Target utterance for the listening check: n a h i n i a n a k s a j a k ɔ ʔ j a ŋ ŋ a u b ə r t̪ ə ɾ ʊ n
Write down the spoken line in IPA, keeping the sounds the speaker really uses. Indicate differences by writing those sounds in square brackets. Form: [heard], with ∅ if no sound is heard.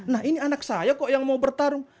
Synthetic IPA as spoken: n a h i n i a n a k s a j a k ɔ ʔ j a ŋ [m] a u b ə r t̪ [a] ɾ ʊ [ŋ]